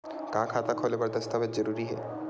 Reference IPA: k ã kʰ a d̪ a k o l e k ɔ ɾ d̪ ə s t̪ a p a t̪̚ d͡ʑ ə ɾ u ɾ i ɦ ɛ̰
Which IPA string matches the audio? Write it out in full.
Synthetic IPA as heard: k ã kʰ a t̪ a kʰ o l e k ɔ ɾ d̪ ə s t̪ a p e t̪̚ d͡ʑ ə ɾ u ɾ i ɦ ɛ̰